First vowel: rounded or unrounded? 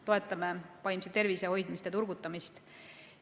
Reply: rounded